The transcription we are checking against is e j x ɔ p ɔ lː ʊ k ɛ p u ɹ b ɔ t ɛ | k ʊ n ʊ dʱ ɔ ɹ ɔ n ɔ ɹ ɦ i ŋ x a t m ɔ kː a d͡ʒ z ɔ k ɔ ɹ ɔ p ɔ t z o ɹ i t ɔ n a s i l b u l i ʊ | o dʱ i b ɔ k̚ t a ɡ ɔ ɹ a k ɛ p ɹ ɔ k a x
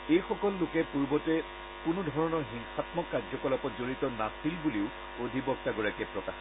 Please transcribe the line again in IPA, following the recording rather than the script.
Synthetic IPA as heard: e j x ɔ k ɔ lː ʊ k ɛ p u ɹ b ɔ t ɛ | k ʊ n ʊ dʱ ɔ ɹ ɔ n ɔ ɹ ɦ i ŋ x a t m ɔ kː a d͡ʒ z ɔ k ɔ l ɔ p ɔ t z o ɹ i t ɔ n a s i l b u l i ʊ | o dʱ i b ɔ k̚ t a ɡ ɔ ɹ a k ɛ p ɹ ɔ k a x